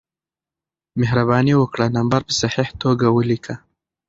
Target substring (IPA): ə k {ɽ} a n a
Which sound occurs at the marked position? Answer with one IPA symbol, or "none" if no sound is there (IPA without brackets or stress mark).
ɽ